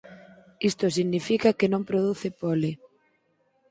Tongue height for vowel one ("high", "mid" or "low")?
high